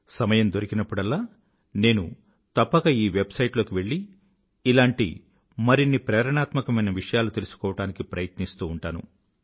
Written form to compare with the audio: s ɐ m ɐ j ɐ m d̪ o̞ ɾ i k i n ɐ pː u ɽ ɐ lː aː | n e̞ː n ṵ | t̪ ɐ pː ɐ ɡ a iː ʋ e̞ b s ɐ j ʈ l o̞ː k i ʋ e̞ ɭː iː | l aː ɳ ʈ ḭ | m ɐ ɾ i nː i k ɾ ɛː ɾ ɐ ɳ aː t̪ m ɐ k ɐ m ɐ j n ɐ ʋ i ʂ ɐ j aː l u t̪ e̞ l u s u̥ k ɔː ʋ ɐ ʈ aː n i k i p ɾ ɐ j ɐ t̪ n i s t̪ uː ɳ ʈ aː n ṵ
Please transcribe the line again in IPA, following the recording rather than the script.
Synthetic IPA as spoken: s ɐ m ɐ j ɐ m d̪ o̞ ɾ i k i n ɐ pː u ɽ ɐ lː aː | n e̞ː n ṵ | t̪ ɐ pː ɐ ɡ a iː ʋ e̞ b s ɐ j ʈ l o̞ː k i ʋ e̞ ɭː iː | l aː ɳ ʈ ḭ | m ɐ ɾ i nː i p ɾ ɛː ɾ ɐ ɳ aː t̪ m ɐ k ɐ m ɐ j n ɐ ʋ i ʂ ɐ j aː l u t̪ e̞ l u s u̥ k ɔː ʋ ɐ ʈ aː n i k i p ɾ ɐ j ɐ t̪ n i s t̪ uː ɳ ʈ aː n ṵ